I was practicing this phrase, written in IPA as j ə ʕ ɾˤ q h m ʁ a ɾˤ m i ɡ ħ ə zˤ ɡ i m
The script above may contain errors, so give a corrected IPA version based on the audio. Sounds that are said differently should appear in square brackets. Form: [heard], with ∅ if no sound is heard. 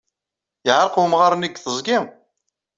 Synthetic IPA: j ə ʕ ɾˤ q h m ʁ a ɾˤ [n] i ɡ [θ] ə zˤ ɡ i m